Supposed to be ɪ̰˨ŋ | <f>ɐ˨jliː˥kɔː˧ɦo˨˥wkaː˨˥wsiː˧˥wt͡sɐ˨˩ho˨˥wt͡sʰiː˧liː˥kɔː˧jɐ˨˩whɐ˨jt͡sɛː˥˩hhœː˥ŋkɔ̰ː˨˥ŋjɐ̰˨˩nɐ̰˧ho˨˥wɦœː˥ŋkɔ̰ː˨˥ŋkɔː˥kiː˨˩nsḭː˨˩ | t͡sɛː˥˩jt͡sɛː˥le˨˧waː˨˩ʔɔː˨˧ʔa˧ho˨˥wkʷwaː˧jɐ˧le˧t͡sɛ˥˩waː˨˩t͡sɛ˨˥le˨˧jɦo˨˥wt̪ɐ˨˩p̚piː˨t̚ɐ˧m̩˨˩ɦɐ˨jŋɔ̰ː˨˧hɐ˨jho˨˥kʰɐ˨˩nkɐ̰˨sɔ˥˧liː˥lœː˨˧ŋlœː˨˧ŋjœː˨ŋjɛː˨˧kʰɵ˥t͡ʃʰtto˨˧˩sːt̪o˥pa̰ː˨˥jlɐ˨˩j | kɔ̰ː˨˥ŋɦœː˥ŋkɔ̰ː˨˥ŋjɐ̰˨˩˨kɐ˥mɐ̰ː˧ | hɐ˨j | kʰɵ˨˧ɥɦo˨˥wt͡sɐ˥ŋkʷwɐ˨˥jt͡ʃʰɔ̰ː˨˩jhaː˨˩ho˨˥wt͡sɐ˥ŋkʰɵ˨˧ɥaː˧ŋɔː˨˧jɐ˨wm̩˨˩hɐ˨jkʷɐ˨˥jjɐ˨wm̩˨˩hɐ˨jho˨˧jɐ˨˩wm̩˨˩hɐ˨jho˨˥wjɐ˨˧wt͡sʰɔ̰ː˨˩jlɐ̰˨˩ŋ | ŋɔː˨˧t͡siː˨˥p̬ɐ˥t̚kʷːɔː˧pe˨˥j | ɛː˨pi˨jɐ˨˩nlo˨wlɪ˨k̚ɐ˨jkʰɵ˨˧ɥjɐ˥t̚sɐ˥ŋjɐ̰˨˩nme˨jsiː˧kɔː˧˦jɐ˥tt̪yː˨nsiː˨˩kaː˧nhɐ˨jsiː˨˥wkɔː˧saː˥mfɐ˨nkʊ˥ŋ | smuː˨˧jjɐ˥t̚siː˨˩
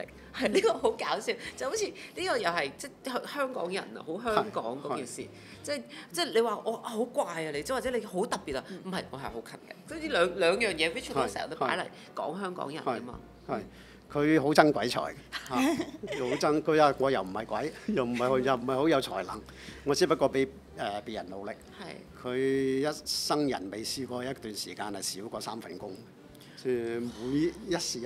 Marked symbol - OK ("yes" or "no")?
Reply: no